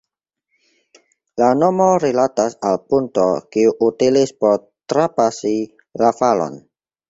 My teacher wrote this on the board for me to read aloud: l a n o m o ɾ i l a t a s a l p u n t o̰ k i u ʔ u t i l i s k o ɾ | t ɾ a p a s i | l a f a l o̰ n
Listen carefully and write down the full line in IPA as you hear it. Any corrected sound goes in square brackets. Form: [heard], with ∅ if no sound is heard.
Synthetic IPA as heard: l a n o m o ɾ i l a t a s a l p u n t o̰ k i u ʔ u t i l i s [p] o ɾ | t ɾ a p a s i | l a f a l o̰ n

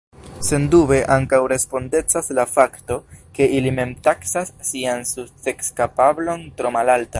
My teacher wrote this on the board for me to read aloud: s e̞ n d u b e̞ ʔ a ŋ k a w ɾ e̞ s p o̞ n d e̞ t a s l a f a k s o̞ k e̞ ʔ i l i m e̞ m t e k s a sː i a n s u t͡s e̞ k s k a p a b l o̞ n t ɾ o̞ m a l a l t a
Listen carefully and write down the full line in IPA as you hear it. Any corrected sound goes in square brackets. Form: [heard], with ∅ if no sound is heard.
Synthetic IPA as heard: s e̞ n d u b e̞ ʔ a ŋ k a w ɾ e̞ s p o̞ n d e̞ [t͡s] a s l a f a k [t] o̞ k e̞ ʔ i l i m e̞ m t [a] k s a sː i a n s u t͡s e̞ k s k a p a b l o̞ n t ɾ o̞ m a l a l t a

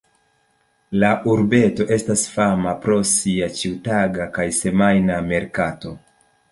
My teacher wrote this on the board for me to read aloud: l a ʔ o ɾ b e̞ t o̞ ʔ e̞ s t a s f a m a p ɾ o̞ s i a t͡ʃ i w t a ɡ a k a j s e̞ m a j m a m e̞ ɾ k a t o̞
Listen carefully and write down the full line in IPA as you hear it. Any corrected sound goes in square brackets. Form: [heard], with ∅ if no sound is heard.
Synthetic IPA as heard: l a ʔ [u] ɾ b e̞ t o̞ ʔ e̞ s t a s f a m a p ɾ o̞ s i a t͡ʃ i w t a ɡ a k a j s e̞ m a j [n] a m e̞ ɾ k a t o̞

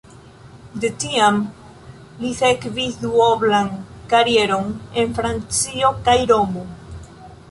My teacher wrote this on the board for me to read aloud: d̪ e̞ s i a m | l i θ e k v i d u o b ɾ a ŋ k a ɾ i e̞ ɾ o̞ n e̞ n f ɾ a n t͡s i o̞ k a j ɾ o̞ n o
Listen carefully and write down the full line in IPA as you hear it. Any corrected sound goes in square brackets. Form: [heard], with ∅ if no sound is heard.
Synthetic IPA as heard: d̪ e̞ [t] i a m | l i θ e k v i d u o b [l] a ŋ k a ɾ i e̞ ɾ o̞ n e̞ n f ɾ a n t͡s i o̞ k a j ɾ o̞ [m] o

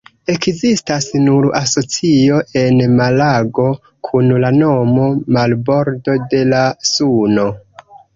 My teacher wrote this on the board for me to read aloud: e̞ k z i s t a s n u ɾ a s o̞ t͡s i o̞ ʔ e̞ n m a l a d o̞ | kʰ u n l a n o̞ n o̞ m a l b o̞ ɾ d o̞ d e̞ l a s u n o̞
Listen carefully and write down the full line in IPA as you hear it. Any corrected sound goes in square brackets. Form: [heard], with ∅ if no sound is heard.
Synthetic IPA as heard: e̞ k z i s t a s n u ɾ a s o̞ t͡s i o̞ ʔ e̞ n m a l a [ɡ] o̞ | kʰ u n l a n o̞ [m] o̞ m a l b o̞ ɾ d o̞ d e̞ l a s u n o̞

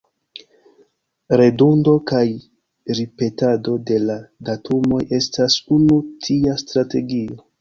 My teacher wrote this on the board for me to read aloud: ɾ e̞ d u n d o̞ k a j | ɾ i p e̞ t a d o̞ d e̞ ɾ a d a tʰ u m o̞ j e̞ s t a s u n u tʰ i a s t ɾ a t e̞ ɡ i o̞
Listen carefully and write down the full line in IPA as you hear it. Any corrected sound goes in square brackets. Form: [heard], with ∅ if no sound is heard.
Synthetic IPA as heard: ɾ e̞ d u n d o̞ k a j | ɾ i p e̞ t a d o̞ d e̞ [l] a d a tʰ u m o̞ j e̞ s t a s u n u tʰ i a s t ɾ a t e̞ ɡ i o̞

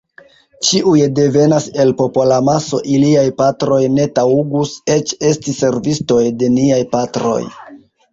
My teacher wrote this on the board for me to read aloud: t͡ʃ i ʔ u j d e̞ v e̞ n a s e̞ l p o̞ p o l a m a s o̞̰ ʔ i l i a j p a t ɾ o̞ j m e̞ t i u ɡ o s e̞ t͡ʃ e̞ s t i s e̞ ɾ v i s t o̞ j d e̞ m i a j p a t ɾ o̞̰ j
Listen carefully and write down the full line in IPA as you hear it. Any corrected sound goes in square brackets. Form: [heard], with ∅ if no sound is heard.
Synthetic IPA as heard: t͡ʃ i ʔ u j d e̞ v e̞ n a s e̞ l p o̞ p o l a m a s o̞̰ ʔ i l i a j p a t ɾ o̞ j [n] e̞ t [a] u ɡ [u] s e̞ t͡ʃ e̞ s t i s e̞ ɾ v i s t o̞ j d e̞ [n] i a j p a t ɾ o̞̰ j

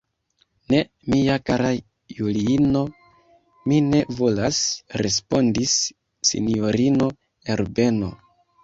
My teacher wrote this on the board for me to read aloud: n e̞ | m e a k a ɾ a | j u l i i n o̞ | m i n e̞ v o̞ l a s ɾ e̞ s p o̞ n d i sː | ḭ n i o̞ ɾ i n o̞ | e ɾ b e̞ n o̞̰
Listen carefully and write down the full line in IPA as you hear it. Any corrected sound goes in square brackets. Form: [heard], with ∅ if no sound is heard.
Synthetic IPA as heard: n e̞ | m [i] a k a ɾ a | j u l i i n o̞ | m i n e̞ v o̞ l a s ɾ e̞ s p o̞ n d i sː | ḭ n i o̞ ɾ i n o̞ | e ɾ b e̞ n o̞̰

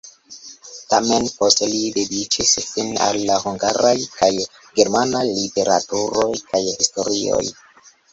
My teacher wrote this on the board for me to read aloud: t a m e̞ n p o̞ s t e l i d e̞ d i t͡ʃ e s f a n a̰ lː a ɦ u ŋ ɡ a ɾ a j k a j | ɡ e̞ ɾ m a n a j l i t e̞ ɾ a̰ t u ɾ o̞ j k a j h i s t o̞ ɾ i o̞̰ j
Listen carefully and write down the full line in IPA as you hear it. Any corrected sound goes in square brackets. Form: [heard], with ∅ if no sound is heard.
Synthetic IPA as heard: t a m e̞ n p o̞ s t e l i d e̞ d i t͡ʃ [i] s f [i] n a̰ lː a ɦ u ŋ ɡ a ɾ a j k a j | ɡ e̞ ɾ m a n a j l i t e̞ ɾ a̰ t u ɾ o̞ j k a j h i s t o̞ ɾ i o̞̰ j

